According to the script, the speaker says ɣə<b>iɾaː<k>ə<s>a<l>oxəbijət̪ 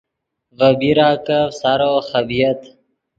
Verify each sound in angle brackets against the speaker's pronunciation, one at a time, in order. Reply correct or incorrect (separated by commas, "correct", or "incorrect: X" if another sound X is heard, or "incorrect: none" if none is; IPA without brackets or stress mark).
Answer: correct, correct, correct, incorrect: ɾ